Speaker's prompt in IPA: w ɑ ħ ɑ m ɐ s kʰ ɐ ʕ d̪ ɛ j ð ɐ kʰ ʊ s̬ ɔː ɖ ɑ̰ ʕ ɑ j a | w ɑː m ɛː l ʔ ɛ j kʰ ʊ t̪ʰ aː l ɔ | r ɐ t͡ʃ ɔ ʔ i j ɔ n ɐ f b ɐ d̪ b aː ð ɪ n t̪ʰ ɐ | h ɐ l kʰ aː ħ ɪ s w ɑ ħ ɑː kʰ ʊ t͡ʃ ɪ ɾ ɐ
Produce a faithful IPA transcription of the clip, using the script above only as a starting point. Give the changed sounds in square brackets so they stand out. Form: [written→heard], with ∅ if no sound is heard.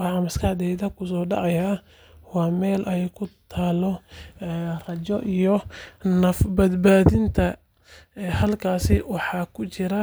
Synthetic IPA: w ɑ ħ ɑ m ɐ s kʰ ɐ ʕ d̪ ɛ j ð ɐ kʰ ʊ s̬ ɔː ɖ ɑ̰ ʕ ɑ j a | w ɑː m ɛː l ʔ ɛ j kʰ ʊ t̪ʰ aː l ɔ | r ɐ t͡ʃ ɔ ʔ i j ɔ n ɐ f b ɐ d̪ b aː ð ɪ n t̪ʰ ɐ | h ɐ l kʰ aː [ħ→s] ɪ [s→∅] w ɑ ħ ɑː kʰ ʊ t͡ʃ ɪ ɾ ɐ